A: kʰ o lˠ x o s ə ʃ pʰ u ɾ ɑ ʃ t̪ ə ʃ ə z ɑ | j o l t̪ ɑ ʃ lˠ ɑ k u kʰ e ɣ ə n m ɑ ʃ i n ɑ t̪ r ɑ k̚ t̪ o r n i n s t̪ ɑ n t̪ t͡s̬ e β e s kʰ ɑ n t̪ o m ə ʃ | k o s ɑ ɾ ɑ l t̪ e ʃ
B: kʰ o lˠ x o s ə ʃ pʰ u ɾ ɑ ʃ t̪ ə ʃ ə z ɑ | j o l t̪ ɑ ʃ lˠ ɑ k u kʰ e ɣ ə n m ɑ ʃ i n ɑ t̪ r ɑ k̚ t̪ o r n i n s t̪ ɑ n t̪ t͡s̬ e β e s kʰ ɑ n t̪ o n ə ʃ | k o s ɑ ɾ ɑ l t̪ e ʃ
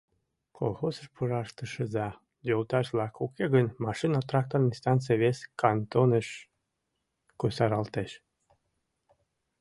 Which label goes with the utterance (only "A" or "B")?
B